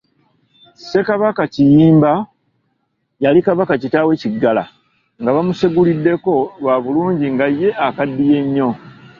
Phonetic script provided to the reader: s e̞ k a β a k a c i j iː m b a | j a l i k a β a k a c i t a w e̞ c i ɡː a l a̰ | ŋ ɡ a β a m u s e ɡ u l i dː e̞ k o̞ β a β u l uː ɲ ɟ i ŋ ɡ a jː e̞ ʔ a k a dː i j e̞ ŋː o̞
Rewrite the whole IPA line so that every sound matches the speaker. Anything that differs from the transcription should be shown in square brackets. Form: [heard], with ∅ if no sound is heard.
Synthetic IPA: s e̞ k a β a k a c i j iː m b a | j a l i k a β a k a c i t a w e̞ c i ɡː a l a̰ | ŋ ɡ a β a m u s e ɡ u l i dː e̞ k o̞ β a β u l uː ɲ ɟ i ŋ ɡ a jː e̞ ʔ a k a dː i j e̞ [ɲː] o̞